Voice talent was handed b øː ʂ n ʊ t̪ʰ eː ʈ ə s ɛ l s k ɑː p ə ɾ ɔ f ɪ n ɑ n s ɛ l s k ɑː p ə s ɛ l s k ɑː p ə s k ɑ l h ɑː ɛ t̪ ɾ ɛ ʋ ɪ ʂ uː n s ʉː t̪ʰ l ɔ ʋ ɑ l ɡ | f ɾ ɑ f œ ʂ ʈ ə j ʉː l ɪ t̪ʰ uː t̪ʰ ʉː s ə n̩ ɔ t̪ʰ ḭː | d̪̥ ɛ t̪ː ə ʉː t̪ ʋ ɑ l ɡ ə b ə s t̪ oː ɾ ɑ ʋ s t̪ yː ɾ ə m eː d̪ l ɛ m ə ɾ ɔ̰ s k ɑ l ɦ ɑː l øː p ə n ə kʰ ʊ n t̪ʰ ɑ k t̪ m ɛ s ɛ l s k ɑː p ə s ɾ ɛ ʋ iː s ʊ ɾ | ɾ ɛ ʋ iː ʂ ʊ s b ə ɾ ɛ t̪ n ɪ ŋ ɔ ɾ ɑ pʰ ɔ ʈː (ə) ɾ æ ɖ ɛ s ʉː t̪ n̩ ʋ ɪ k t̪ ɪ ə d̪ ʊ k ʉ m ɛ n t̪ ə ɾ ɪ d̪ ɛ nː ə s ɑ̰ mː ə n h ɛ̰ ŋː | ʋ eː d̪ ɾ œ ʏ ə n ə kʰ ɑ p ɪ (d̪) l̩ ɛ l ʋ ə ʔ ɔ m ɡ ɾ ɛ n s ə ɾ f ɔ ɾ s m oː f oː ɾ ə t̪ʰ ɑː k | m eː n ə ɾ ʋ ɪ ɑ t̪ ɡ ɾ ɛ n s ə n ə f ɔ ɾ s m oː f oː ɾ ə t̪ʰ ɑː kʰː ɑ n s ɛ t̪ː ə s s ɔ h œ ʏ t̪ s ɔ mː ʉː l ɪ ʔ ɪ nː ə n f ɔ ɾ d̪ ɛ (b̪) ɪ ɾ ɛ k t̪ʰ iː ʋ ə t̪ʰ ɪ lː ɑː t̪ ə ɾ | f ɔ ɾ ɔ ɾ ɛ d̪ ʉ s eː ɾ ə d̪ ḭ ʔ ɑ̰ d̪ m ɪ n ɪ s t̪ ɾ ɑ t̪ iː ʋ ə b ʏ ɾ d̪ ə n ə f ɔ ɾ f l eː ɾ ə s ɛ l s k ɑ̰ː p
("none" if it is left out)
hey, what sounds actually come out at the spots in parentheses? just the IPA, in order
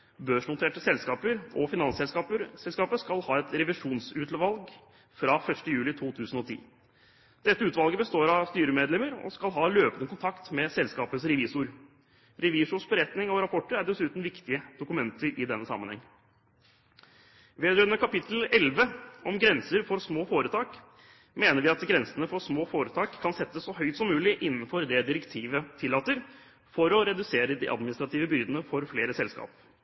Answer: ə, t̪, d̪

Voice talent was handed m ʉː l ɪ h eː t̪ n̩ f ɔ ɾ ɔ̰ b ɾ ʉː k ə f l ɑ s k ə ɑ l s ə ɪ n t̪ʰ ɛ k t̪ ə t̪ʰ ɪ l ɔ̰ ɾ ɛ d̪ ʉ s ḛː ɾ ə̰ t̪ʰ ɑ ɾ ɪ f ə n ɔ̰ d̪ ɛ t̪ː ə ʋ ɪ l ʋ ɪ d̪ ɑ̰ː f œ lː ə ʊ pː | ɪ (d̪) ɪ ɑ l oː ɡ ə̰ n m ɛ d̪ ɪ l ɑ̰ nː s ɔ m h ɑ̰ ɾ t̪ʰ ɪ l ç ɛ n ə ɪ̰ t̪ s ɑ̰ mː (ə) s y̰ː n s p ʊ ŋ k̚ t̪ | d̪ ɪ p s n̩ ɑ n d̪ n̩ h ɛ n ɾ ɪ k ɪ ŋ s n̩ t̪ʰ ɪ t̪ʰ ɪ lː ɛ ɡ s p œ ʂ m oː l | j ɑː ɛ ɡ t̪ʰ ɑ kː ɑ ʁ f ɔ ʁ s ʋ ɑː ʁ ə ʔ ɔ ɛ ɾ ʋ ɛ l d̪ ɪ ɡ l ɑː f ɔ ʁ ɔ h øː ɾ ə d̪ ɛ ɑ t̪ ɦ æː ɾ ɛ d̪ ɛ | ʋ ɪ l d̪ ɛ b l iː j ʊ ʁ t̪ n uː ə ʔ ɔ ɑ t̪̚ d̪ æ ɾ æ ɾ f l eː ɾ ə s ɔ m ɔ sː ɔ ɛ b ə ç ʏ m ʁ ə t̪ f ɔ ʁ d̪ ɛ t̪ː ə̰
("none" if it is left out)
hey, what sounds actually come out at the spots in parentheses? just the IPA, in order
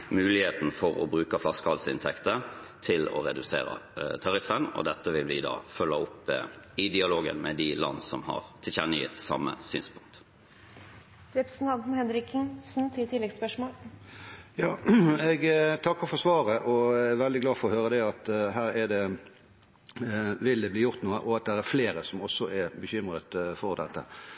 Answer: d̪, ə

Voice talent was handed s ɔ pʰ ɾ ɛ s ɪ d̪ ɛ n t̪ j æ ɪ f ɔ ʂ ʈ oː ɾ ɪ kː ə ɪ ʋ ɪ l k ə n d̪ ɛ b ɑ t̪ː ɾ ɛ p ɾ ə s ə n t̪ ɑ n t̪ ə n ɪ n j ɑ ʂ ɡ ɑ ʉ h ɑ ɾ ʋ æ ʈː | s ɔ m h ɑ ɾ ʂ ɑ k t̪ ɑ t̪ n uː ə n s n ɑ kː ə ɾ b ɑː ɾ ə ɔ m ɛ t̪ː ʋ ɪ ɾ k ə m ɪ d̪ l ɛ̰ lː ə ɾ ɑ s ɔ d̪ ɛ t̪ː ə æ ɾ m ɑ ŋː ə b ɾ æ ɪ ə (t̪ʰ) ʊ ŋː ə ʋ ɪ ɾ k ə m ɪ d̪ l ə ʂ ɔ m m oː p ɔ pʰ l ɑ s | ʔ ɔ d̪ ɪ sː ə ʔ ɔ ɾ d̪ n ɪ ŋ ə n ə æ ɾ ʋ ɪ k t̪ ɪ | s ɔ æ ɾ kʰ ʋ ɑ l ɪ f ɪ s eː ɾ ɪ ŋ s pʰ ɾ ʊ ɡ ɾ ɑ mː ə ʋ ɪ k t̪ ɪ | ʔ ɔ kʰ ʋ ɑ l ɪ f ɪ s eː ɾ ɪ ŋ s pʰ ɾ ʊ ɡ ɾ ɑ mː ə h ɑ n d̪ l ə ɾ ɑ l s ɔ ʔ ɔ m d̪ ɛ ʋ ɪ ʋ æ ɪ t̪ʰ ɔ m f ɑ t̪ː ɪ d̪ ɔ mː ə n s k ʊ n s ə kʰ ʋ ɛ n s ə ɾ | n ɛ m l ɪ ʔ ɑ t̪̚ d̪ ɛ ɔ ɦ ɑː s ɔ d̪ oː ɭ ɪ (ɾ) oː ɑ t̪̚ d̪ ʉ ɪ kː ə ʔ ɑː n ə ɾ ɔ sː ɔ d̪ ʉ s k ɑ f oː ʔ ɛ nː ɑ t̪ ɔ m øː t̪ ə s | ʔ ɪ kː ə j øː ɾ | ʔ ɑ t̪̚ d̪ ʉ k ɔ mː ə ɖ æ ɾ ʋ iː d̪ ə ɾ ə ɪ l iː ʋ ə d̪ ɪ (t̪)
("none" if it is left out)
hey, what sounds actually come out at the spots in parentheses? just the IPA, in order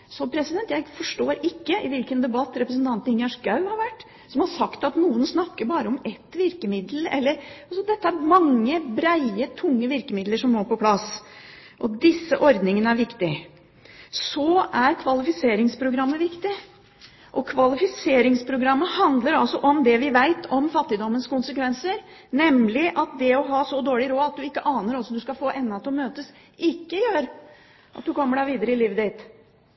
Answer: t̪ʰ, ɾ, t̪

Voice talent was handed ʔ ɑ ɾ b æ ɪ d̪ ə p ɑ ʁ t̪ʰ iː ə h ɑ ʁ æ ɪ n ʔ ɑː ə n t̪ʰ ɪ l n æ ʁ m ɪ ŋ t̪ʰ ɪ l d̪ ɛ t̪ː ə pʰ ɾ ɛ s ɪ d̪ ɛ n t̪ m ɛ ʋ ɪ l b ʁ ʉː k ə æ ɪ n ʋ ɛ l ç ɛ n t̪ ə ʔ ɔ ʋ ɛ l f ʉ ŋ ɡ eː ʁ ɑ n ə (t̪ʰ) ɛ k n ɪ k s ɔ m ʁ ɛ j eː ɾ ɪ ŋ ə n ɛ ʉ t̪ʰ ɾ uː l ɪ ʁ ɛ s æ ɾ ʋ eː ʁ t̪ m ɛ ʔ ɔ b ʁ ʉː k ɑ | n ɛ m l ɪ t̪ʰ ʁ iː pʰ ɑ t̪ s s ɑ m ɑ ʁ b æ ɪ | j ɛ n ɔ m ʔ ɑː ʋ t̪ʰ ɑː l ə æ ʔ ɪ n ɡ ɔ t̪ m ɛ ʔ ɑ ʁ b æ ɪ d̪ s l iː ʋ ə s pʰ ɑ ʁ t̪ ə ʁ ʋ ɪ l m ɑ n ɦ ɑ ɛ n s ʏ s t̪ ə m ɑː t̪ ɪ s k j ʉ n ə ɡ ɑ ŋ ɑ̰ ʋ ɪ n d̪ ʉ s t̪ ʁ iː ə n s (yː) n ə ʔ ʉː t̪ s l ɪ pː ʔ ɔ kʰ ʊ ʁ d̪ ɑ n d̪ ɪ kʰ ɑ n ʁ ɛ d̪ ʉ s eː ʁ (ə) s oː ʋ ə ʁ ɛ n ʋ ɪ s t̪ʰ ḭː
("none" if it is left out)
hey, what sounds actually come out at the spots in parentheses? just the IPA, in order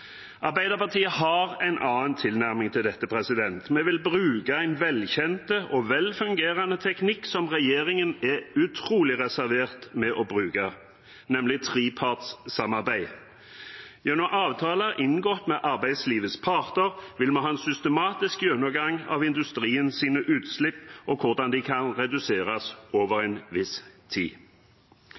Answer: t̪ʰ, iː, ɑ

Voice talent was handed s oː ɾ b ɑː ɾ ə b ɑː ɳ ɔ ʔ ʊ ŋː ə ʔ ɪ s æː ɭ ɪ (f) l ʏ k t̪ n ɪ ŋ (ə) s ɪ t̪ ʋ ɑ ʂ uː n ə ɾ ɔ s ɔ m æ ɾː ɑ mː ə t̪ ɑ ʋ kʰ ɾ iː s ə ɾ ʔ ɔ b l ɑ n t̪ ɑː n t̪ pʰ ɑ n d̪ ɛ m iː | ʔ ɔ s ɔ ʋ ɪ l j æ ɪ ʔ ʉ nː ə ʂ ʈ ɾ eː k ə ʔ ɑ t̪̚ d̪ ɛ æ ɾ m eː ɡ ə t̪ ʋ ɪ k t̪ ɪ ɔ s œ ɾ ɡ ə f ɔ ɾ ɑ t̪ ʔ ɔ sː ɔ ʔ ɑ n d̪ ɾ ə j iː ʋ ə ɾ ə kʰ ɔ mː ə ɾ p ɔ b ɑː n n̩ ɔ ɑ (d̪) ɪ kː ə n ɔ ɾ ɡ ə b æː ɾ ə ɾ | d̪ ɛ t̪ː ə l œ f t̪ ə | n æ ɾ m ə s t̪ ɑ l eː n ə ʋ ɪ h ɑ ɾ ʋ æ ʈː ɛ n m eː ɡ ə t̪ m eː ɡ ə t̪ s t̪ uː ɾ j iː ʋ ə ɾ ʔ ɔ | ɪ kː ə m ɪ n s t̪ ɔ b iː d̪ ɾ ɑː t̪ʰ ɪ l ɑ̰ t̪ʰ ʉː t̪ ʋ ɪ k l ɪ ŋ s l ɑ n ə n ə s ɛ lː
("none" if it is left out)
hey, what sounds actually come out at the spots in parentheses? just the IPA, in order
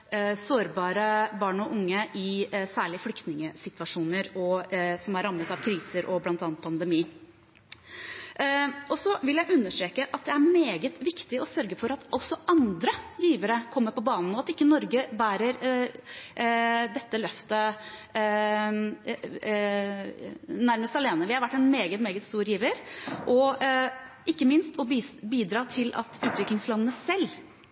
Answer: f, ə, t̪

